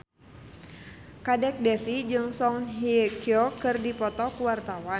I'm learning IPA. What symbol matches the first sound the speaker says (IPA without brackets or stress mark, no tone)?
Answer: k